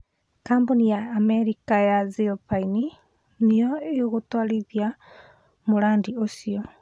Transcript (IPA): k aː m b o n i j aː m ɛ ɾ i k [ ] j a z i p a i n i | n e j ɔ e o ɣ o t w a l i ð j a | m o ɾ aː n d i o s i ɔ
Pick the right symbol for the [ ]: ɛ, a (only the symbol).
a